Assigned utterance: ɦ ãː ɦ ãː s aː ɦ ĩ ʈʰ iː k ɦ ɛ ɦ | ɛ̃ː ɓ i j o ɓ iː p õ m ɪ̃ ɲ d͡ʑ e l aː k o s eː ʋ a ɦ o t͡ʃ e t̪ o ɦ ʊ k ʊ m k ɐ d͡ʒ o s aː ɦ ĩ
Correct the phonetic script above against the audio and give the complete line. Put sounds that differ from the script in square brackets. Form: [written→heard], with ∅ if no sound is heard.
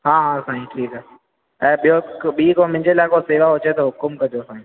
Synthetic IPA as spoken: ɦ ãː ɦ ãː s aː ɦ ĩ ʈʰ iː k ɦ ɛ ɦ | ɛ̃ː ɓ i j o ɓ iː [p→k] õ m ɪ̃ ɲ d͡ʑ e l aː k o s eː ʋ a ɦ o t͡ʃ e t̪ o ɦ ʊ k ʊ m k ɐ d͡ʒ o s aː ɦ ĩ